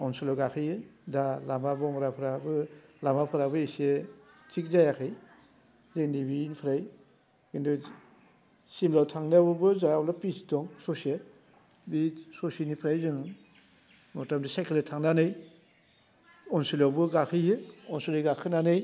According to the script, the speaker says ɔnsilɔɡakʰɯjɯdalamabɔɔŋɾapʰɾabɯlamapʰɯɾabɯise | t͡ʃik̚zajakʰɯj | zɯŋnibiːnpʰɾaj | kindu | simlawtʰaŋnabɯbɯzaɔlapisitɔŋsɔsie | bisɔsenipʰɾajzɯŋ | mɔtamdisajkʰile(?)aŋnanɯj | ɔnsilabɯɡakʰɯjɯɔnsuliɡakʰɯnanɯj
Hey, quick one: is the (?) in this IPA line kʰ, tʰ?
tʰ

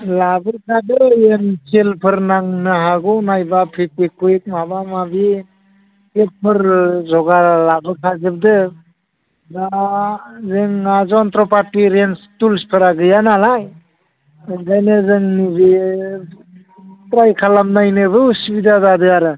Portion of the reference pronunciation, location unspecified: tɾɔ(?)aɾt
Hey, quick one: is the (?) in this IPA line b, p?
p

